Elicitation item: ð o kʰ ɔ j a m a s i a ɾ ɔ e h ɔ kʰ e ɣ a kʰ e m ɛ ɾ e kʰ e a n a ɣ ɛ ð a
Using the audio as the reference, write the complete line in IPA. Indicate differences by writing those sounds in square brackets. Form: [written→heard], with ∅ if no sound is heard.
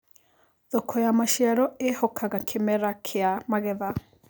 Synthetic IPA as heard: ð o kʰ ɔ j a m a [s→ʃ] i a ɾ ɔ e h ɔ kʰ [e→a] ɣ a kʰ e m ɛ ɾ [e→a] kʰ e a [n→m] a ɣ ɛ ð a